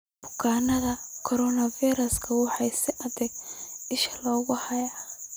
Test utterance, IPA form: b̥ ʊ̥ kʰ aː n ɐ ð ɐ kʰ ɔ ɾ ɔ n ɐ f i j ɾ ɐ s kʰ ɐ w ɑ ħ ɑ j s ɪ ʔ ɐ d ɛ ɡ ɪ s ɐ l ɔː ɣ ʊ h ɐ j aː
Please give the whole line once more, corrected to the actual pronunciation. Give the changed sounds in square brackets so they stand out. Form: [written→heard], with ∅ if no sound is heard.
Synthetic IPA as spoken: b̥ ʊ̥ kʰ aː n ɐ ð ɐ kʰ ɔ ɾ ɔ n ɐ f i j ɾ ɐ s kʰ ɐ w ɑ ħ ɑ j s ɪ ʔ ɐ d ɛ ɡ ɪ [s→ʃ] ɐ l ɔː ɣ ʊ h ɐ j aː